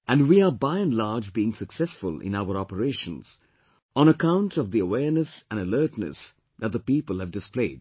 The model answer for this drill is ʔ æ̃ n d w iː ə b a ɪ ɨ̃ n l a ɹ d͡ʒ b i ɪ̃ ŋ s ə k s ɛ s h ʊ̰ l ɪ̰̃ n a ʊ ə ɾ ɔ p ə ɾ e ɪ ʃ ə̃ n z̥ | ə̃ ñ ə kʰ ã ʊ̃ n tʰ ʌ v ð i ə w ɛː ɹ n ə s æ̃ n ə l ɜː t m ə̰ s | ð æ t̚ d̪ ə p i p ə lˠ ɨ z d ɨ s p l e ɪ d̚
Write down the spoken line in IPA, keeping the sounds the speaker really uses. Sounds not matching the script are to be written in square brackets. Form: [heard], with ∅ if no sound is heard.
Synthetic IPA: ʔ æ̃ n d w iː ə b a ɪ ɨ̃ n l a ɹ d͡ʒ b i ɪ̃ ŋ s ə k s ɛ s [f] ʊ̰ l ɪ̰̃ n a ʊ ə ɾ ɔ p ə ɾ e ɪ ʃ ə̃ n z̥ | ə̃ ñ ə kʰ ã ʊ̃ n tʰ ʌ v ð i ə w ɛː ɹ n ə s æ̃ n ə l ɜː t [n] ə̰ s | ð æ t̚ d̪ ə p i p ə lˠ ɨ [v] d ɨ s p l e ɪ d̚